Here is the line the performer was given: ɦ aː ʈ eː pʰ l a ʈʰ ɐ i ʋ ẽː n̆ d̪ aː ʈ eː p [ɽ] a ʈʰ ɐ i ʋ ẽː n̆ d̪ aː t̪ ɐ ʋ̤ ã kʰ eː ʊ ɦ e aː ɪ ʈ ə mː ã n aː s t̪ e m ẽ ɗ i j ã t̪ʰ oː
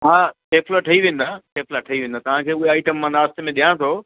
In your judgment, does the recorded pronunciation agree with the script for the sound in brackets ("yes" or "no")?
no